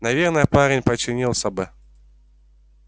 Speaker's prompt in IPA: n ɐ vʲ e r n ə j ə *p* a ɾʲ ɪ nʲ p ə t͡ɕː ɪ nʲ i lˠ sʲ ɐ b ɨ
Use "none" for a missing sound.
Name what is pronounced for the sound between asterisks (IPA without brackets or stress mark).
p